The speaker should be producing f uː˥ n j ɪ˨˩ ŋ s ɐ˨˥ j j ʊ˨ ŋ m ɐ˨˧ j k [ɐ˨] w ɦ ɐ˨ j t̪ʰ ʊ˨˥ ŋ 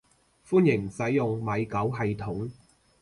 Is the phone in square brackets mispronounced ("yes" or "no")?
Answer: yes